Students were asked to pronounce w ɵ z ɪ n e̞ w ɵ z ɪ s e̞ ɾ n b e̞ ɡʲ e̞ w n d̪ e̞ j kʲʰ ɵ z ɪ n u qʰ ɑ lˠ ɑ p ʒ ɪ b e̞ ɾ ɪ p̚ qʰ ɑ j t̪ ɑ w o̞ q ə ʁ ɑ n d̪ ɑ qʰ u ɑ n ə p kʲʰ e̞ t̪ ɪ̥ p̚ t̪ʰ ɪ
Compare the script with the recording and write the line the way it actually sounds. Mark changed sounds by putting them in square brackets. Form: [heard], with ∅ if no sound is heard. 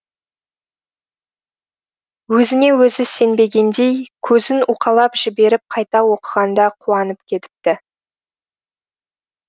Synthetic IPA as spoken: w ɵ z ɪ n e̞ w ɵ z ɪ s e̞ [∅] n b e̞ ɡʲ e̞ [∅] n d̪ e̞ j kʲʰ ɵ z ɪ n u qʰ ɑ lˠ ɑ p ʒ ɪ b e̞ ɾ ɪ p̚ qʰ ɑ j t̪ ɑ w o̞ q ə ʁ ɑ n d̪ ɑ qʰ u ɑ n ə p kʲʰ e̞ t̪ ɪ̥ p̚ [t̪] ɪ

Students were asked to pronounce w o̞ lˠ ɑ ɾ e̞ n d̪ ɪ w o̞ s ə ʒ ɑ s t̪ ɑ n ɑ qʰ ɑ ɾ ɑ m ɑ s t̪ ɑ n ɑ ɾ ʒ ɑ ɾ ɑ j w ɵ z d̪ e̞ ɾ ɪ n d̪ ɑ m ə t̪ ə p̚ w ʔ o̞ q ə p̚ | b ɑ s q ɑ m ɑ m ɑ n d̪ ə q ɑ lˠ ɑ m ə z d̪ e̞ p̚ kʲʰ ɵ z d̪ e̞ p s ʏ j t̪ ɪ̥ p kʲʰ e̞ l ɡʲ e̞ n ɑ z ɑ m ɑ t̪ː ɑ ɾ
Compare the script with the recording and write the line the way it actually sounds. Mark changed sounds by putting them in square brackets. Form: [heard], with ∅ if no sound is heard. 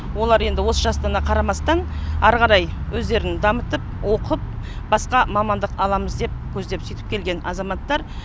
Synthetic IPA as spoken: w o̞ lˠ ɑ ɾ e̞ n d̪ ɪ w o̞ s ə ʒ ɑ s t̪ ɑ n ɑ qʰ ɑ ɾ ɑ m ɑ s t̪ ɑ n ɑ ɾ [ʁ] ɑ ɾ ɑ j w ɵ z d̪ e̞ ɾ ɪ n d̪ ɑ m ə t̪ ə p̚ w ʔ o̞ q ə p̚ | b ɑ s q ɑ m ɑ m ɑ n d̪ ə q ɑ lˠ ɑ m ə z d̪ e̞ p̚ kʲʰ ɵ z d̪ e̞ p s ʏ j t̪ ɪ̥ p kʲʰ e̞ l ɡʲ e̞ n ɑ z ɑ m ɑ t̪ː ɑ ɾ

